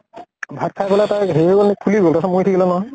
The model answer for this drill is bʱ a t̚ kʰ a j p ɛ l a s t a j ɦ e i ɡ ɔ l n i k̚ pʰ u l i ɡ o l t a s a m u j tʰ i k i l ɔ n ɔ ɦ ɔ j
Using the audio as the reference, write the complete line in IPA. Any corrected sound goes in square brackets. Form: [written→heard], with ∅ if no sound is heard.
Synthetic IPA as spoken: bʱ a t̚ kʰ a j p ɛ l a [s→∅] t a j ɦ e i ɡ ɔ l n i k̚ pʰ u l i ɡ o l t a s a m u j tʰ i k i l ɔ n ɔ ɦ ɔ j